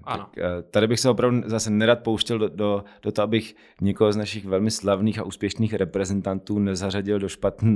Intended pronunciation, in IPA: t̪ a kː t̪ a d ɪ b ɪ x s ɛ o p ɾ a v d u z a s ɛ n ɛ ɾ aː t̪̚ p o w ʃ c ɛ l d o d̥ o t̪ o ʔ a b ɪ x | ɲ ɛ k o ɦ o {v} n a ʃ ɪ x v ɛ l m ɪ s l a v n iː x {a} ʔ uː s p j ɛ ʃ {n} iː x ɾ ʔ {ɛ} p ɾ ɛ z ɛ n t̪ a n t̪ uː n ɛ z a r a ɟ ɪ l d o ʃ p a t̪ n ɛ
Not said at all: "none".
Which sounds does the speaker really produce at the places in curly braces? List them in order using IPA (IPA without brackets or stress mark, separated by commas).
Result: z, a, n, ɛ